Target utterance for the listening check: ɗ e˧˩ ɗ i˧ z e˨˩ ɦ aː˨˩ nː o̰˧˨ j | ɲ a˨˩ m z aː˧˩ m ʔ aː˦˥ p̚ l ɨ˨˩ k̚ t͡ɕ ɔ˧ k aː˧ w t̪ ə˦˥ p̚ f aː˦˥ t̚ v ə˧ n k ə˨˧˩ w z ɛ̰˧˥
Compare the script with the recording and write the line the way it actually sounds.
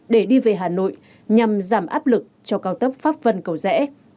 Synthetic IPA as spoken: ɗ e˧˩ ɗ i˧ v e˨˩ ɦ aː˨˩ n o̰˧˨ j | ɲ a˨˩ m z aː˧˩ m ʔ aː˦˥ p̚ l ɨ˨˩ k̚ t͡ɕ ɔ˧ k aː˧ w t̪ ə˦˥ p̚ f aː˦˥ p̚ v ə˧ n k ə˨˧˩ w z ɛ̰˧˥

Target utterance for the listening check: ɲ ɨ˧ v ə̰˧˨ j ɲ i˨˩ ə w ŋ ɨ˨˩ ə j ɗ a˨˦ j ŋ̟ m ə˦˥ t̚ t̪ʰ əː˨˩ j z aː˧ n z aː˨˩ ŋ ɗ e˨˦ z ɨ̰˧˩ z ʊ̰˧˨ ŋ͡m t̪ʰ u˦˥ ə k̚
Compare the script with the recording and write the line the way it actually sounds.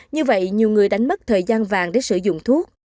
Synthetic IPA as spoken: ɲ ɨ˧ v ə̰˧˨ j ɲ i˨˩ ə w ŋ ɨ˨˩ ə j ɗ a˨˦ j ŋ̟ m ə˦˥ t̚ t̪ʰ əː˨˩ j z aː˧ n v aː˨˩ ŋ ɗ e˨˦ s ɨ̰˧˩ z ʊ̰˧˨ ŋ͡m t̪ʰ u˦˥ ə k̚

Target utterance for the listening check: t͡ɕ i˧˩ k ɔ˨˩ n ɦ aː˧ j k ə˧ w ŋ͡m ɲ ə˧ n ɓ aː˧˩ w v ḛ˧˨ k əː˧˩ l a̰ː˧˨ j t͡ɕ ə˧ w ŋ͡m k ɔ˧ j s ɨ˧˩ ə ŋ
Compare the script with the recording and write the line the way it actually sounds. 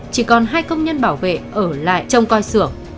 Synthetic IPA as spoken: t͡ɕ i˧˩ k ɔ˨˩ n ɦ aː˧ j k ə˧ w ŋ͡m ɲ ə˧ n ɓ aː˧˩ w v ḛ˧˨ ʔ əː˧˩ l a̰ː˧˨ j t͡ɕ ə˧ w ŋ͡m k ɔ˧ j s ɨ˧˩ ə ŋ

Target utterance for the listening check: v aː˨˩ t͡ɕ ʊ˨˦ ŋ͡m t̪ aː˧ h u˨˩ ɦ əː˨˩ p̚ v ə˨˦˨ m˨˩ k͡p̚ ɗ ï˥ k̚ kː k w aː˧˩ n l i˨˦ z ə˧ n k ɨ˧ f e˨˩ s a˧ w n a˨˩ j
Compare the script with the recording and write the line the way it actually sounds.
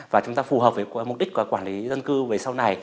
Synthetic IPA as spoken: v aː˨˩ t͡ɕ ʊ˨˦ ŋ͡m t̪ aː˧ f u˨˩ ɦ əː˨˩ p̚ v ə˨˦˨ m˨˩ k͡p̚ ɗ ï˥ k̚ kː k w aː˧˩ n l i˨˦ z ə˧ n k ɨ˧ v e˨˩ s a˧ w n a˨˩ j

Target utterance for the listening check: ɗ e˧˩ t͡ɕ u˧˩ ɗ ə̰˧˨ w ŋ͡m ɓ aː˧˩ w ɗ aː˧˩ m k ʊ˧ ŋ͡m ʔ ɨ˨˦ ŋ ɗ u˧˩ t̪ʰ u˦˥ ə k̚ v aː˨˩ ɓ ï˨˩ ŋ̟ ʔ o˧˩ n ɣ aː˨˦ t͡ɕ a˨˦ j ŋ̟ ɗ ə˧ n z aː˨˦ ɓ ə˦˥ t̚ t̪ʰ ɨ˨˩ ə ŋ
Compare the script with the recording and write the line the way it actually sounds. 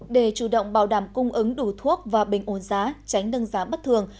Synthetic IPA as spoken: ɗ e˧˩ t͡ɕ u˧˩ ɗ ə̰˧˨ w ŋ͡m ɓ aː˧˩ w ɗ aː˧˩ m k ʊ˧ ŋ͡m ʔ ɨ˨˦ ŋ ɗ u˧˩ t̪ʰ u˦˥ ə k̚ v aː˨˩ ɓ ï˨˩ ŋ̟ ʔ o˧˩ n z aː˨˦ t͡ɕ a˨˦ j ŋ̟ ɗ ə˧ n z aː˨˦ ɓ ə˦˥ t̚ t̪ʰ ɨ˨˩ ə ŋ

